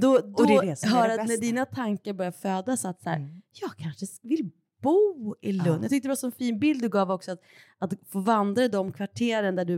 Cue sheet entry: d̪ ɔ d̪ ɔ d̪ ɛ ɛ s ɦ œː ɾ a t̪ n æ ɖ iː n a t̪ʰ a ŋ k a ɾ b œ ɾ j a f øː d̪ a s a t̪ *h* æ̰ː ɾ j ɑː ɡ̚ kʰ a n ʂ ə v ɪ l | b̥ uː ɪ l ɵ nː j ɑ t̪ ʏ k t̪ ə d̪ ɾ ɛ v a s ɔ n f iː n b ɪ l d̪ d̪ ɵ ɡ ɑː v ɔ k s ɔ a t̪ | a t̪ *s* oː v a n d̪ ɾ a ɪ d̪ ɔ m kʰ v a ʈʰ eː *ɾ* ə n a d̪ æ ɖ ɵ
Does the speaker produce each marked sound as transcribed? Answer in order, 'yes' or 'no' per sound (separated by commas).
no, no, yes